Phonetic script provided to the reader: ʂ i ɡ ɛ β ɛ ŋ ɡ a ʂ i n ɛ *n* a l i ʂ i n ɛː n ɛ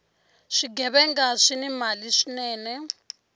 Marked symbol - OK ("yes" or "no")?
no